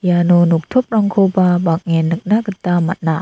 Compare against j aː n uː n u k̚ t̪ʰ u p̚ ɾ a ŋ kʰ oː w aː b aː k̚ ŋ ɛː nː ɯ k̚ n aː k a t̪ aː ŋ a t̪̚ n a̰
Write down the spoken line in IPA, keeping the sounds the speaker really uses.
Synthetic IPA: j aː n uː n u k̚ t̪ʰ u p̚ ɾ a ŋ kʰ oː b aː b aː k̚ ŋ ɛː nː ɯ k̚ n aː k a t̪ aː m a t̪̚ n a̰